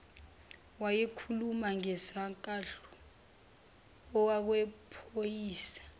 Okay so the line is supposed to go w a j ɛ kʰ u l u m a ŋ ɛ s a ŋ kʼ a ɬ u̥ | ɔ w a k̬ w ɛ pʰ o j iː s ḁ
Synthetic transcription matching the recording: w a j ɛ kʰ u l u m a ŋ ɛ s a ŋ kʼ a ɬ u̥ | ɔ w a k̬ w ɛ pʰ o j iː s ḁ